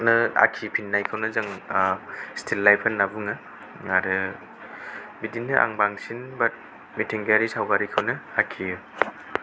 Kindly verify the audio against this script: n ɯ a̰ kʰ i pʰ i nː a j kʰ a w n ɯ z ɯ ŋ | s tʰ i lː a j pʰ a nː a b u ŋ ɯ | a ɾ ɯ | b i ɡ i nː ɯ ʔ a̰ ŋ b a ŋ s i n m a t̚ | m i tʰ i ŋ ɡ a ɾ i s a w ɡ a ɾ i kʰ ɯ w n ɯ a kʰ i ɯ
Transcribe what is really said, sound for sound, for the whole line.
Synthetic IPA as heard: n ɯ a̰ kʰ i pʰ i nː a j kʰ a w n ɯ z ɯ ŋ | s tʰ i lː a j pʰ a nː a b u ŋ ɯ | a ɾ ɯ | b i d i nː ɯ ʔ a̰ ŋ b a ŋ s i n b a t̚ | m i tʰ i ŋ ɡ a ɾ i s a w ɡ a ɾ i kʰ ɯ w n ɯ a kʰ i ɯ